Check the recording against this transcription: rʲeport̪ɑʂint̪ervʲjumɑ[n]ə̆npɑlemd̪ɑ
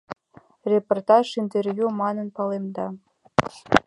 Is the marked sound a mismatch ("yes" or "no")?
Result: no